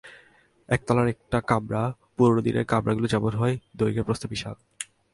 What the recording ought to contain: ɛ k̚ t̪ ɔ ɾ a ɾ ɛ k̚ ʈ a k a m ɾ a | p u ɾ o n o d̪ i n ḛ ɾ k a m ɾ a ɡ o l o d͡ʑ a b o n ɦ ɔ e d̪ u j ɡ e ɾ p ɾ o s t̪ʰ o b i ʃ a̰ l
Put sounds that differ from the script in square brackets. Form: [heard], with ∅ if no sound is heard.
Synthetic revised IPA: ɛ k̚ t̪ ɔ [l] a ɾ ɛ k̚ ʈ a k a m ɾ a | p u ɾ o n o d̪ i n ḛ ɾ k a m ɾ a ɡ [u] l o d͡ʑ a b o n ɦ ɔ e d̪ [o] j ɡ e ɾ p ɾ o s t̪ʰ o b i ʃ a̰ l